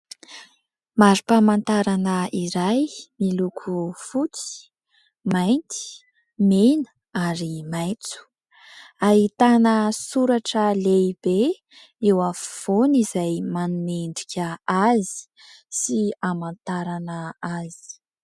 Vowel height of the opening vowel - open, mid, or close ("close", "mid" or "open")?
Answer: open